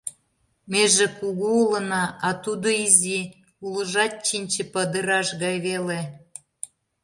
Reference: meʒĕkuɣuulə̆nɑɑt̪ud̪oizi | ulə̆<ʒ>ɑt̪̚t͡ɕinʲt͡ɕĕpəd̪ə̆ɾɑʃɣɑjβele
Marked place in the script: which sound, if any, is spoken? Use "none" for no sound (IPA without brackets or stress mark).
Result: ʒ